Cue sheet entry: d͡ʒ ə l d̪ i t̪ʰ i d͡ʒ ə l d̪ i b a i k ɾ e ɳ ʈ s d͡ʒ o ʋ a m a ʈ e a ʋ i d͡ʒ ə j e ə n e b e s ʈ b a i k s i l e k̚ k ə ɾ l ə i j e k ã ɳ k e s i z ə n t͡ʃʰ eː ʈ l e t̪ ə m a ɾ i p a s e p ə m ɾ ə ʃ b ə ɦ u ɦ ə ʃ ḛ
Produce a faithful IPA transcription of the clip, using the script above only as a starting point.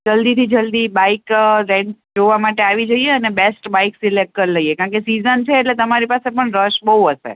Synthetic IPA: d͡ʒ ə l d̪ i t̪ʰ i d͡ʒ ə l d̪ i b a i k ɾ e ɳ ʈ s d͡ʒ o ʋ a m a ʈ e a ʋ i d͡ʒ ə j e ə n e b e s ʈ b a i k s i l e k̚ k ə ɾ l ə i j e k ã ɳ k e s i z ə n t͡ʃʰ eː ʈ l e t̪ ə m a ɾ i p a s e p ə ɳ ɾ ə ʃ b ə ɦ u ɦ ə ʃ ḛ